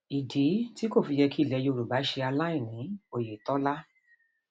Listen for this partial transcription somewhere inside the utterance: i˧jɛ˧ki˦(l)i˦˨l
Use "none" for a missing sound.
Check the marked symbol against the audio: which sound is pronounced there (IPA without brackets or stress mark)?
none